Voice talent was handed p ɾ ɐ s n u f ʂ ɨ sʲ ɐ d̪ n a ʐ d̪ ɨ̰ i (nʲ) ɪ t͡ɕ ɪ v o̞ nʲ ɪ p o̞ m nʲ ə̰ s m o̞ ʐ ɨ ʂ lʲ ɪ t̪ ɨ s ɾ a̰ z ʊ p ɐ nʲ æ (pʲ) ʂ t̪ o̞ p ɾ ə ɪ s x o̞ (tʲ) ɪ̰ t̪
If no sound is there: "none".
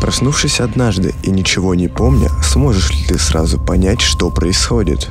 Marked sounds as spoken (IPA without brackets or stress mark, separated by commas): nʲ, tʲ, dʲ